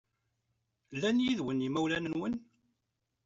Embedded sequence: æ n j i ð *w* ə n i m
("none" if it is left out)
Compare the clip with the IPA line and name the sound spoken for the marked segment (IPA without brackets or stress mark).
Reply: w